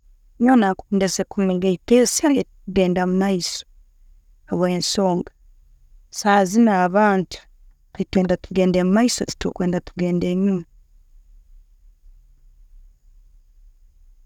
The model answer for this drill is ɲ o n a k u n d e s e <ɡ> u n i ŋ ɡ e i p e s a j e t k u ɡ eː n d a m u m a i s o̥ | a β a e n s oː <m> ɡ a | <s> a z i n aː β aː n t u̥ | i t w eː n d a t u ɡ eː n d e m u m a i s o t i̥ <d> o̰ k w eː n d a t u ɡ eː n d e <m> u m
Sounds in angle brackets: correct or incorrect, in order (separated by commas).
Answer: incorrect, incorrect, correct, incorrect, incorrect